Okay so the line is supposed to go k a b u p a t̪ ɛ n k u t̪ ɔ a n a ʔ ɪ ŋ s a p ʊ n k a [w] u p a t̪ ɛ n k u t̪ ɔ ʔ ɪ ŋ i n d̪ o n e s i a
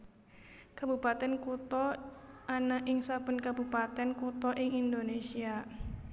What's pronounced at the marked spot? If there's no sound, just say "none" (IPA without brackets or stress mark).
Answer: b